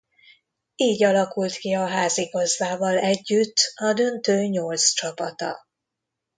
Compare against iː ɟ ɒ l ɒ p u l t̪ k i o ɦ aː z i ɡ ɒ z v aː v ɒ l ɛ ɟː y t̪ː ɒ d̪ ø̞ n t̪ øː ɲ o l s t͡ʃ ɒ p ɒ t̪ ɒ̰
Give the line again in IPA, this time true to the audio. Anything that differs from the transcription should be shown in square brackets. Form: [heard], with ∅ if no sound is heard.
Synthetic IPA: iː ɟ ɒ l ɒ [k] u l t̪ k i [ɒ] ɦ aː z i ɡ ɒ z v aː v ɒ l ɛ ɟː y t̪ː ɒ d̪ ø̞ n t̪ øː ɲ o l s t͡ʃ ɒ p ɒ t̪ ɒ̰

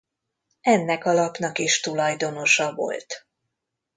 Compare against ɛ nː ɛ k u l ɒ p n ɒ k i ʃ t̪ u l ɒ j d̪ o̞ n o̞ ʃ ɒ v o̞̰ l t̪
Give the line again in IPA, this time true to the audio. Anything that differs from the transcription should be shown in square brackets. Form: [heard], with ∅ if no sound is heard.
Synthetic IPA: ɛ nː ɛ k [ɒ] l ɒ p n ɒ k i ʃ t̪ u l ɒ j d̪ o̞ n o̞ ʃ ɒ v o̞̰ l t̪

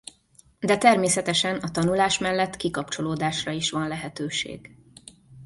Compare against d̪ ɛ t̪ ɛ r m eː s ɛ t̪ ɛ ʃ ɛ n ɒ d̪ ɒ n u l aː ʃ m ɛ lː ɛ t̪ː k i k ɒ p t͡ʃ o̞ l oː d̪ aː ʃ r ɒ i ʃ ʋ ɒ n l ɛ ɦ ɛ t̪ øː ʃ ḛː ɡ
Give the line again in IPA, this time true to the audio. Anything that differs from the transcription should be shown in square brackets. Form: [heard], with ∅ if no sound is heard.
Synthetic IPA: d̪ ɛ t̪ ɛ r m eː s ɛ t̪ ɛ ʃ ɛ n ɒ [t̪] ɒ n u l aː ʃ m ɛ lː ɛ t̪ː k i k ɒ p t͡ʃ o̞ l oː d̪ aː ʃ r ɒ i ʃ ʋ ɒ n l ɛ ɦ ɛ t̪ øː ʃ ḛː ɡ

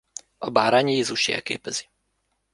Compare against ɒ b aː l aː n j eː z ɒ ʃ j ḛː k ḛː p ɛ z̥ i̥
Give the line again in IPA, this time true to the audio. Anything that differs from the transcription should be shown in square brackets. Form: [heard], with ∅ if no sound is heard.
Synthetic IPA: ɒ b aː [ɾ] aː [ɲ] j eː z [u] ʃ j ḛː k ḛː p ɛ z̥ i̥

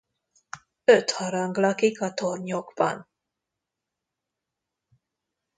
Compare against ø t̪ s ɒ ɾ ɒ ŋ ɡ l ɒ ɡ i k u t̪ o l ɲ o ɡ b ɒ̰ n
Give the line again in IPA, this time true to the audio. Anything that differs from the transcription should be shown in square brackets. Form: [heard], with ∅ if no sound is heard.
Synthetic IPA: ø t̪ [h] ɒ ɾ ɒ ŋ ɡ l ɒ [k] i k [ɒ] t̪ o [r] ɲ o ɡ b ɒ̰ n

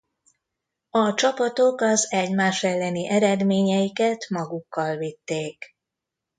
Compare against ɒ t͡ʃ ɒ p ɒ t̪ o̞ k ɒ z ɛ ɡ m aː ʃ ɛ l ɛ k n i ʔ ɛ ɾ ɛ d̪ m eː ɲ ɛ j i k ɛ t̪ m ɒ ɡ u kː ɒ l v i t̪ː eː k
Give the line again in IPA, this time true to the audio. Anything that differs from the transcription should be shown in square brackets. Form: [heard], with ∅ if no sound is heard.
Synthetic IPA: ɒ t͡ʃ ɒ p ɒ t̪ o̞ k ɒ z ɛ [ɟ] m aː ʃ ɛ [lː] ɛ [∅] n i ʔ ɛ ɾ ɛ d̪ m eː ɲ ɛ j i k ɛ t̪ m ɒ ɡ u kː ɒ l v i t̪ː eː k

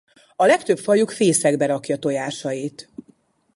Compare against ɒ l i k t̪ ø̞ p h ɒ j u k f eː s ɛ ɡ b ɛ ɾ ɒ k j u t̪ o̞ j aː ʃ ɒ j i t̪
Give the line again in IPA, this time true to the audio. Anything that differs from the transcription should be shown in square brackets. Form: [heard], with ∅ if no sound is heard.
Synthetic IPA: ɒ l [ɛ] k t̪ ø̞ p [f] ɒ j u k f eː s ɛ ɡ b ɛ ɾ ɒ k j [ɒ] t̪ o̞ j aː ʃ ɒ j i t̪

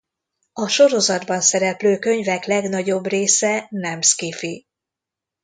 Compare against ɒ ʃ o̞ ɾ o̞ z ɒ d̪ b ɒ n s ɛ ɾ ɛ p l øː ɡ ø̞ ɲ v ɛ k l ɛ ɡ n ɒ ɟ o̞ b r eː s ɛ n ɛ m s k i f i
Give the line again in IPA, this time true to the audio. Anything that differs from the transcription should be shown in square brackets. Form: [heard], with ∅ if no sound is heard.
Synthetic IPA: ɒ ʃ o̞ ɾ o̞ z ɒ d̪ b ɒ n s ɛ ɾ ɛ p l øː [k] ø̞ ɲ v ɛ k l ɛ ɡ n ɒ ɟ o̞ b r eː s ɛ n ɛ m s k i f i

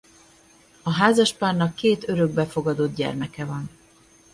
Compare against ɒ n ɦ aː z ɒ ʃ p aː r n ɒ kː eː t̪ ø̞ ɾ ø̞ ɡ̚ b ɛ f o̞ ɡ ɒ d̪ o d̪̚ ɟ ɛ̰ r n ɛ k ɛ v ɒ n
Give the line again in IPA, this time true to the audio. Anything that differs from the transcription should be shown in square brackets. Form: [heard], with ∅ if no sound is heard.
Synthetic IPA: ɒ [∅] ɦ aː z ɒ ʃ p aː r n ɒ kː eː t̪ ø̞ ɾ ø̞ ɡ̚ b ɛ f o̞ ɡ ɒ d̪ o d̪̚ ɟ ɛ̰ r [m] ɛ k ɛ v ɒ n

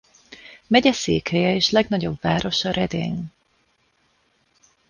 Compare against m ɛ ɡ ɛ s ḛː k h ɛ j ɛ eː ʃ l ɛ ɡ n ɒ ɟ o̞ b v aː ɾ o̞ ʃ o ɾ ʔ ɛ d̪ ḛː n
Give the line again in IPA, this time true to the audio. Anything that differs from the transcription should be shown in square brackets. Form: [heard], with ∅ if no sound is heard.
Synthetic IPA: m ɛ [ɟ] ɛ s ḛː k h ɛ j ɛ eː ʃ l ɛ ɡ n ɒ ɟ o̞ b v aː ɾ o̞ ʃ [ɒ] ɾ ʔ ɛ d̪ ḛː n

